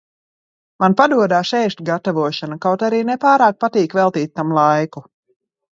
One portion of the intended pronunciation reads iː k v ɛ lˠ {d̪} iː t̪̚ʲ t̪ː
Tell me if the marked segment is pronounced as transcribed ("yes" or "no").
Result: no